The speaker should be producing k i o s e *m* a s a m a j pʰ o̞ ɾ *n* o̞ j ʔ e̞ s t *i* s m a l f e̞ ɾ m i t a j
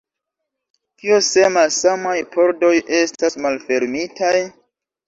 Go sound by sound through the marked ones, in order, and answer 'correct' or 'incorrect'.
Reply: correct, incorrect: d, incorrect: a

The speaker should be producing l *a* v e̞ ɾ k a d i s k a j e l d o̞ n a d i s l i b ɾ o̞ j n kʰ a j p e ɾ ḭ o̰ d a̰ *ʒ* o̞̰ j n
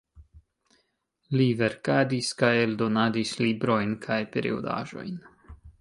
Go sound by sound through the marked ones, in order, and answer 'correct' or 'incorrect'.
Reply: incorrect: i, correct

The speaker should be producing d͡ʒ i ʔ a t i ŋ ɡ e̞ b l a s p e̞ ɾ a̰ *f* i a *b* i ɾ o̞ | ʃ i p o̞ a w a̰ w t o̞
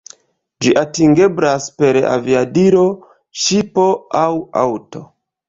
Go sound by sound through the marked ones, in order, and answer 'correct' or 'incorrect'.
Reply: incorrect: v, incorrect: d

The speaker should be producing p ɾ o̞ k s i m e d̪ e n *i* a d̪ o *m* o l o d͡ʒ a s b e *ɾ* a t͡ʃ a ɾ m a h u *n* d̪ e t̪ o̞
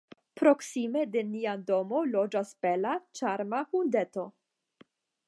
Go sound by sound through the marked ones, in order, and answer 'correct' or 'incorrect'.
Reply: correct, correct, incorrect: l, correct

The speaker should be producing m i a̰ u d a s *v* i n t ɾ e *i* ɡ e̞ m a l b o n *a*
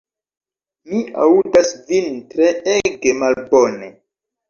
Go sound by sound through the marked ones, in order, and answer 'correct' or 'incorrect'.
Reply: correct, incorrect: e, incorrect: e

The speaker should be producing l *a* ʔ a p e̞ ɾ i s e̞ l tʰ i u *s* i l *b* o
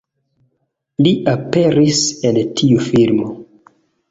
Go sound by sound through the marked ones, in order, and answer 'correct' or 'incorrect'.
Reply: incorrect: i, incorrect: f, incorrect: m

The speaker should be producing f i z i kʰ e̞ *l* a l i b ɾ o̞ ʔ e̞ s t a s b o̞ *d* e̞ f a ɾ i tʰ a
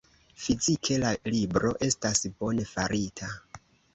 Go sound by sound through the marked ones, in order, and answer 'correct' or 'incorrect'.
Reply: correct, incorrect: n

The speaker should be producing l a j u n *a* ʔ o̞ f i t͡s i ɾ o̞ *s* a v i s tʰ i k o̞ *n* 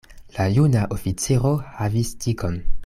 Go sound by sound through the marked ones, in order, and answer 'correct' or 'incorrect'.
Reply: correct, incorrect: h, correct

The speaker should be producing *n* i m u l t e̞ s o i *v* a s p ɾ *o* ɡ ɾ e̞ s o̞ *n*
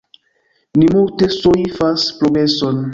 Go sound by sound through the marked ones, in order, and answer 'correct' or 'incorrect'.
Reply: correct, incorrect: f, correct, correct

